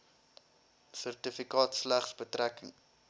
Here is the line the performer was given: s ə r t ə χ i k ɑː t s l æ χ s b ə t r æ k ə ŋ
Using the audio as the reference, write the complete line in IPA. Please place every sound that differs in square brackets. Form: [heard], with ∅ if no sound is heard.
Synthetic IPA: s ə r t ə [f] i k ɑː t s l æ χ s b ə t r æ k ə ŋ